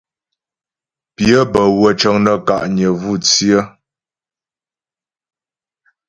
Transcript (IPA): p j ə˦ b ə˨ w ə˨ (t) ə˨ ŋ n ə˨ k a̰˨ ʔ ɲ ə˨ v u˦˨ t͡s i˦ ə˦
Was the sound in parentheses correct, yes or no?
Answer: no